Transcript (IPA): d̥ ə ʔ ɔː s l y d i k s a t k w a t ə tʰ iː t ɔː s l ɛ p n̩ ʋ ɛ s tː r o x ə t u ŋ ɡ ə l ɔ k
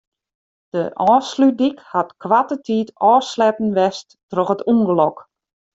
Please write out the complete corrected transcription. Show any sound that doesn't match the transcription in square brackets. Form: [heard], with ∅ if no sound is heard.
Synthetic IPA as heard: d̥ ə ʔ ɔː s l y d i k [h] a t k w a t ə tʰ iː t ɔː s l ɛ p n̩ ʋ ɛ s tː r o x ə t u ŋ ɡ ə l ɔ k